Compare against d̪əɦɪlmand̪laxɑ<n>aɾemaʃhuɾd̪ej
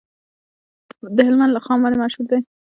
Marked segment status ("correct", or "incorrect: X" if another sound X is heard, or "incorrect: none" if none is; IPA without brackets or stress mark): incorrect: m